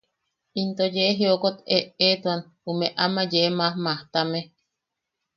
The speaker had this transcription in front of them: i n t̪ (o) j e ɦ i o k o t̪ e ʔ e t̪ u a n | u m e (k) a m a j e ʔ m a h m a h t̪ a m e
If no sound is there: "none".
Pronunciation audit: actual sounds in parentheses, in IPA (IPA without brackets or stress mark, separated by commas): o, ʔ